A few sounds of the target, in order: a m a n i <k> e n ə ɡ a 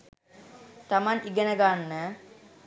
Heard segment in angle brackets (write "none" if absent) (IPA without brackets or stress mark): ɡ